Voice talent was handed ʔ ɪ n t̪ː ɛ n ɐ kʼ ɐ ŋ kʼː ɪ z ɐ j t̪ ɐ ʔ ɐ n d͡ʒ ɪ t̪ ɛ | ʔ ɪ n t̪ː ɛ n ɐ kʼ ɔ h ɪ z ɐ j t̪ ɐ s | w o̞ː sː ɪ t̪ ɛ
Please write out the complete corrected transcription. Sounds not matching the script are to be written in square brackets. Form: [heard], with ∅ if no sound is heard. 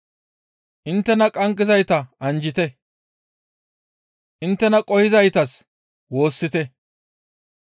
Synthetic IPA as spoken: ʔ ɪ n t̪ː ɛ n ɐ kʼ ɐ ŋ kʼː ɪ z ɐ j t̪ ɐ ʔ ɐ n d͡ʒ ɪ t̪ ɛ | ʔ ɪ n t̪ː ɛ n ɐ kʼ ɔ h ɪ z ɐ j t̪ ɐ s | w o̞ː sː ɪ t̪ ɛ